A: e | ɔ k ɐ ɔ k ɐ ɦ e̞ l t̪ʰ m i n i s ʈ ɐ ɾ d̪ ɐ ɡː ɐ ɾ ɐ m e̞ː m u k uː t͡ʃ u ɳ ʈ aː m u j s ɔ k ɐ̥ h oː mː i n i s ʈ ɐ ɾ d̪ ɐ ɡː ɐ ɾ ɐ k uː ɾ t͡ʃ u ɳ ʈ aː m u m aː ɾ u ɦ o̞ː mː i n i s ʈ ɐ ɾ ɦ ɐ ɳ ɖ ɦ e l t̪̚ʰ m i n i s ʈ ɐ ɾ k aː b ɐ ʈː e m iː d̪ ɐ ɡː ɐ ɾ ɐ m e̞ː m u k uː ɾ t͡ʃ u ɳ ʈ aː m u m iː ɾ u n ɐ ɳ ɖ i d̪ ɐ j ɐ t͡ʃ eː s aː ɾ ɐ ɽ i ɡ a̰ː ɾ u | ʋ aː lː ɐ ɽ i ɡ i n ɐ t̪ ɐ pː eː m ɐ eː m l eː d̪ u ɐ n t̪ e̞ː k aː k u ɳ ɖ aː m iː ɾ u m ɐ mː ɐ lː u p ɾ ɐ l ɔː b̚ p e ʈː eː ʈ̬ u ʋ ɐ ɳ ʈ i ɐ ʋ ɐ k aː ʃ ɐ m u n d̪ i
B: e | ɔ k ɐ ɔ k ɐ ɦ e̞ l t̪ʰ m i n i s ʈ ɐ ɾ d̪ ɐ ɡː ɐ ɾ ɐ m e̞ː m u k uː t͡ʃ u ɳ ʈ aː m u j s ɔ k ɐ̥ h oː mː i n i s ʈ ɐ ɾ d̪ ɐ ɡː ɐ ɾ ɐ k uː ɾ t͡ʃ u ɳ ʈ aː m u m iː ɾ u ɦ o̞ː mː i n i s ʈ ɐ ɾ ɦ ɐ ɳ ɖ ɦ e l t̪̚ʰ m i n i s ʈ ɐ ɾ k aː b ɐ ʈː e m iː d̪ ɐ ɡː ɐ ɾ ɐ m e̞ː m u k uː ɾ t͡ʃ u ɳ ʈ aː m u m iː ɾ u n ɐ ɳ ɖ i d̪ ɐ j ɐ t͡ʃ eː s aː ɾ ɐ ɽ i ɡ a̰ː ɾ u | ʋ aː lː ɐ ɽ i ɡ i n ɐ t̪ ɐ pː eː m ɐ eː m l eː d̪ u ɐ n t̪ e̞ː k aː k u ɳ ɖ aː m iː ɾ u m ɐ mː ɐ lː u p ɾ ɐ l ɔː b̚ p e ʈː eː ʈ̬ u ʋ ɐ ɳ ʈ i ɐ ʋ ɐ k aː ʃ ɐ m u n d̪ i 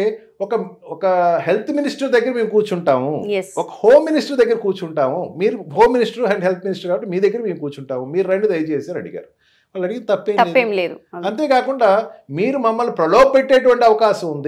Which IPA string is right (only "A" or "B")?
B